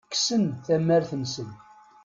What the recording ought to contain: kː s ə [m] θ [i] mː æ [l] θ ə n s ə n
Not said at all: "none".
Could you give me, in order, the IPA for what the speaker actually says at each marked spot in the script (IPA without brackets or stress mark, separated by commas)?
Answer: n, æ, ɾ